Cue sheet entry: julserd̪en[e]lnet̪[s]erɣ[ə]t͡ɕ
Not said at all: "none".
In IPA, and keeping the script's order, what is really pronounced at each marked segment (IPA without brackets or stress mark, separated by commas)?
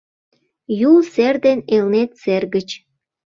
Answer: e, s, ə